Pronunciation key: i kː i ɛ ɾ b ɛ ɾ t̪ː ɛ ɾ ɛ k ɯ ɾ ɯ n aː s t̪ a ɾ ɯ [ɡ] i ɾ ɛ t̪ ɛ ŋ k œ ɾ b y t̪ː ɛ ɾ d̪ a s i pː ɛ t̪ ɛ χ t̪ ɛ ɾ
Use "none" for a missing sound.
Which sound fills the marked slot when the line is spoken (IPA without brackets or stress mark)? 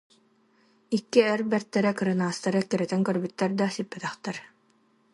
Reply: k